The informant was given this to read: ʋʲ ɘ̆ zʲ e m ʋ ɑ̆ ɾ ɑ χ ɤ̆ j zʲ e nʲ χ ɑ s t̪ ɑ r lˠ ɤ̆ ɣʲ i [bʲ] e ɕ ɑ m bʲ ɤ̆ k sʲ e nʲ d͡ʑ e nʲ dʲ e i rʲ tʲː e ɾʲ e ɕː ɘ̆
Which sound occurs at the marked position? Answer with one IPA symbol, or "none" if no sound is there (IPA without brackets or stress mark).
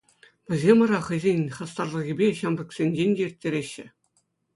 bʲ